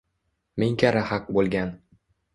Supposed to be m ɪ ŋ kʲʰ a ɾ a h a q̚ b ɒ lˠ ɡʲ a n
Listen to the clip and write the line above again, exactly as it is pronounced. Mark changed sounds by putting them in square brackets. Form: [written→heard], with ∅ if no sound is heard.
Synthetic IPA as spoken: m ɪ ŋ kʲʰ a ɾ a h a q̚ b [ɒ→o] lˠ ɡʲ a n